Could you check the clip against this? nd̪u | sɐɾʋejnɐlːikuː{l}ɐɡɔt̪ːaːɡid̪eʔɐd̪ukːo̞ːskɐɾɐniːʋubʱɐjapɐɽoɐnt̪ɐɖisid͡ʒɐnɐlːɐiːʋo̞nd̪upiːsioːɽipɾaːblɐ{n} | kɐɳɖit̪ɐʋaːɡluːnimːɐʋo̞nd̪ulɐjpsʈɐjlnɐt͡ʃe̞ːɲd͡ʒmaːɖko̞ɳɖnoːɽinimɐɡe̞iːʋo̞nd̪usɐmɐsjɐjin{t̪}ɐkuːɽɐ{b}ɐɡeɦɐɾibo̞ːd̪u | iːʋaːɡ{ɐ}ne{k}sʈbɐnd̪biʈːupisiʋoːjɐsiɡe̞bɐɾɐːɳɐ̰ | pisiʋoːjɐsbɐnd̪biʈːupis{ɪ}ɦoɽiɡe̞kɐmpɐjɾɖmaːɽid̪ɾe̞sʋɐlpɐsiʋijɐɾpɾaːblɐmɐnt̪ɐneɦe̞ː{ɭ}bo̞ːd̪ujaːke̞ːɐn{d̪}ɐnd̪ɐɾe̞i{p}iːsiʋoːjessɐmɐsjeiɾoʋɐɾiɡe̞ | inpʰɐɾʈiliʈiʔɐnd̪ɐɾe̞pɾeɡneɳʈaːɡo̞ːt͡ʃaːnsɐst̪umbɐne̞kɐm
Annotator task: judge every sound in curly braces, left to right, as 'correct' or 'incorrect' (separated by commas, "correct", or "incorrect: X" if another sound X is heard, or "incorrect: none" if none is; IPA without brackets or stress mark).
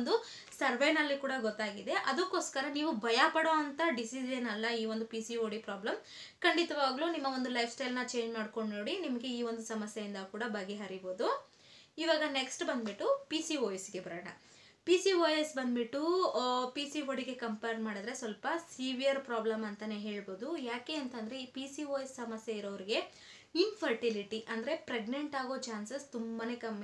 incorrect: ɽ, incorrect: m, incorrect: d̪, correct, correct, correct, incorrect: i, correct, incorrect: t̪, correct